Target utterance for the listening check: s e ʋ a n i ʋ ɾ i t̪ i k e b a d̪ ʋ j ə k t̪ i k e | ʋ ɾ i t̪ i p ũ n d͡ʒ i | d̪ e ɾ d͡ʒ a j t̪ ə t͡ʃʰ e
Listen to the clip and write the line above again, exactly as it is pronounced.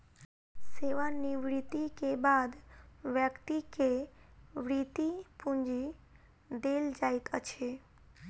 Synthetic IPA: s e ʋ a n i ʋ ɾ i t̪ i k e b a d̪ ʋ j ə k t̪ i k e | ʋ ɾ i t̪ i p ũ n d͡ʒ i | d̪ e l d͡ʒ a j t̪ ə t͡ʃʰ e

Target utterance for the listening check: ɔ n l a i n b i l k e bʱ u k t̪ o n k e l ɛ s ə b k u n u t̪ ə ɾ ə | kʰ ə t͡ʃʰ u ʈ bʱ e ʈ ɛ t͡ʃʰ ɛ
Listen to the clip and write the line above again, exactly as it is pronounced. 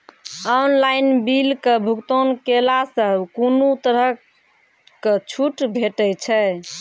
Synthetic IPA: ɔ n l a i n b i l k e bʱ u k t̪ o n k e l a s ə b k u n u t̪ ə ɾ ə | k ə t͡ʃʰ u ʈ bʱ e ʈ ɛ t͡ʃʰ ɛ

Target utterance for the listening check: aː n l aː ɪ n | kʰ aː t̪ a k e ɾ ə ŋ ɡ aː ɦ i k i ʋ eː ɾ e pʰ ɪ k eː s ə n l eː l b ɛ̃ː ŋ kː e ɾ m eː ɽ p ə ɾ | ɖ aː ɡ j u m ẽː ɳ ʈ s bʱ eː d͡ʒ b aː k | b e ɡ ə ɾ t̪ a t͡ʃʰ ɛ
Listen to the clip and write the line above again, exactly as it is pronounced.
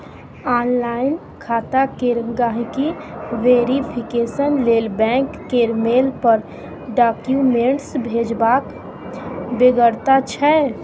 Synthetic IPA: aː n l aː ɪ n | kʰ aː t̪ a k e ɾ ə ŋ ɡ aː ɦ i k i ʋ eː ɾ i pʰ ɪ k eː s ə n l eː l b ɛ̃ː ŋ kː e ɾ m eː l p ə ɾ | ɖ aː k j u m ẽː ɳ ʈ s bʱ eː d͡ʒ b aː k | b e ɡ ə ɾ t̪ a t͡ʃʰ ɛ

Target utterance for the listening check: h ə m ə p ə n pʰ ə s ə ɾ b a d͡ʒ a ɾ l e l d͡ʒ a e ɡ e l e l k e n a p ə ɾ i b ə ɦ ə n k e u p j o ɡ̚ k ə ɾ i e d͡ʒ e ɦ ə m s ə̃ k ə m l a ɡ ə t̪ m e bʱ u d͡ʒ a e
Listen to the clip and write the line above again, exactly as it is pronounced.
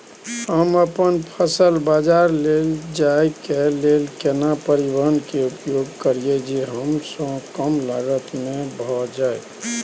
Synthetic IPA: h ə m ə p ə n pʰ ə s ə l b a d͡ʒ a ɾ l e l d͡ʒ a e k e l e l k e n a p ə ɾ i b ə ɦ ə n k e u p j o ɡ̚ k ə ɾ i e d͡ʒ e ɦ ə m s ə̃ k ə m l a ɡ ə t̪ m e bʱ ɔ d͡ʒ a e

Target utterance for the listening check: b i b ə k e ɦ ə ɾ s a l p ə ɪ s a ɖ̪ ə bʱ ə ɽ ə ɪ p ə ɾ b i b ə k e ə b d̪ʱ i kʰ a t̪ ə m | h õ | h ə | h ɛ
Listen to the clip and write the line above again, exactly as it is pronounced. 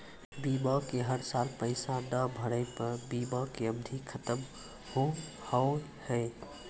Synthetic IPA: b i b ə k e ɦ ə ɾ s a l p ə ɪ s a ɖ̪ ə bʱ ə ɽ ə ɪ p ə ɾ b i b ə k e ə b d̪ʱ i kʰ ə t̪ ə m | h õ | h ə | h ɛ

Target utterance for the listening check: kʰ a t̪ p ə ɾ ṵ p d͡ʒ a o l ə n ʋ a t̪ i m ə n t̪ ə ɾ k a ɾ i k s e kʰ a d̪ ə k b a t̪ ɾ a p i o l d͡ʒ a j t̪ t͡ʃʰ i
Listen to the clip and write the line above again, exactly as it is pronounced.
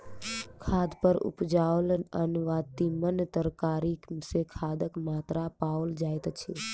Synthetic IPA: kʰ a d̪ p ə ɾ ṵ p d͡ʒ a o l ə n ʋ a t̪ i m ə n t̪ ə ɾ k a ɾ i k s e kʰ a d̪ ə k m a t̪ ɾ a p a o l d͡ʒ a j t̪ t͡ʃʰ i

